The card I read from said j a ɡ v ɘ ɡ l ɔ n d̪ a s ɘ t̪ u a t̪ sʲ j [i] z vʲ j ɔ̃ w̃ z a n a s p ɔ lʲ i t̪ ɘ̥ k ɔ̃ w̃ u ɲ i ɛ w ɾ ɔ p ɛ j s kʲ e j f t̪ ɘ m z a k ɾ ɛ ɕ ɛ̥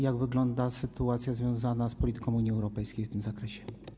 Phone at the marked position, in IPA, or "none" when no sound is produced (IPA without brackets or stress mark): a